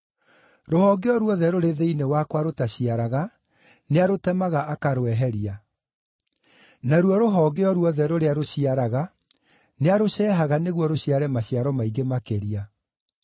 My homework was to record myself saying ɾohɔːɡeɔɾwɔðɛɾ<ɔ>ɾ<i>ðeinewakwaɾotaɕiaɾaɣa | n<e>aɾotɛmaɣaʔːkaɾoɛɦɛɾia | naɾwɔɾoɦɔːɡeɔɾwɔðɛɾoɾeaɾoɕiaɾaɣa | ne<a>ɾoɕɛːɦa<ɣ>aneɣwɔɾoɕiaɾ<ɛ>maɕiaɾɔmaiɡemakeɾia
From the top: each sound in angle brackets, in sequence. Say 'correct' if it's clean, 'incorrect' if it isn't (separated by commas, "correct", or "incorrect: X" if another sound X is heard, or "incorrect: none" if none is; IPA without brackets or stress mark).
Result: incorrect: o, incorrect: e, correct, correct, correct, correct